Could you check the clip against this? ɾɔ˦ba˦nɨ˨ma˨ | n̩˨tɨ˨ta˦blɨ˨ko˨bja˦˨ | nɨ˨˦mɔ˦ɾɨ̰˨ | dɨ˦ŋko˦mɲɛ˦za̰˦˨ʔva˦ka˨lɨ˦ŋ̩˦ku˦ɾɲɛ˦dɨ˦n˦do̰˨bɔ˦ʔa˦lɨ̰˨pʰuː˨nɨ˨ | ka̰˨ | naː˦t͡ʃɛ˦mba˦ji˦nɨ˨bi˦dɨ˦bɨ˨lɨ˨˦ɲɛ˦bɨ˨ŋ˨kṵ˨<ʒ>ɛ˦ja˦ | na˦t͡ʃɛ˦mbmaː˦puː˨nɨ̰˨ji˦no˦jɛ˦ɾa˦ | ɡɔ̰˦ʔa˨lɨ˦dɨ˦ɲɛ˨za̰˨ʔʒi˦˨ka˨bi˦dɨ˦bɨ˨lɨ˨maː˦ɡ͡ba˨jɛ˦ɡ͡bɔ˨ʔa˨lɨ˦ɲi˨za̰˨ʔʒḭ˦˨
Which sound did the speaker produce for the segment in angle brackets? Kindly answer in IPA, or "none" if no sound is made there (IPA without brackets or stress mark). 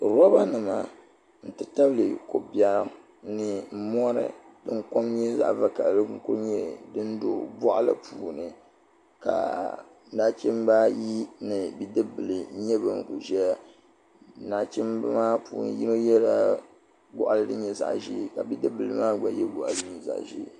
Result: ʒ